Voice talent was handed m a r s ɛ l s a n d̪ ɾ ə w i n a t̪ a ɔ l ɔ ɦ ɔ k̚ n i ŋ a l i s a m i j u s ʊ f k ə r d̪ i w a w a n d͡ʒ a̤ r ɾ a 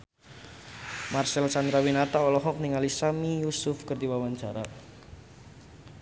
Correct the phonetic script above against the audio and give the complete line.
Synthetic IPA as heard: m a r s ɛ l s a n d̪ ɾ a w i n a t̪ a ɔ l ɔ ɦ ɔ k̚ n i ŋ a l i s a m i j u s ʊ f k ə r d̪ i w a w a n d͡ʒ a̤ ɾ a